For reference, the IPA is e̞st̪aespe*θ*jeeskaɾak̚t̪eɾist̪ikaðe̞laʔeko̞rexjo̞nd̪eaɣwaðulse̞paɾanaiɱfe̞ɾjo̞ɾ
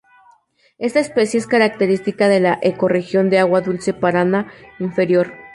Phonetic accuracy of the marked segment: incorrect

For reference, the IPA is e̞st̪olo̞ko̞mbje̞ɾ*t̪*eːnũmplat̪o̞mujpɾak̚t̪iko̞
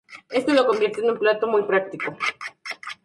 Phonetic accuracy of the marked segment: correct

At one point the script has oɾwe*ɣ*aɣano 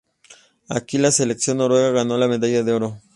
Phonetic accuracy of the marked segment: correct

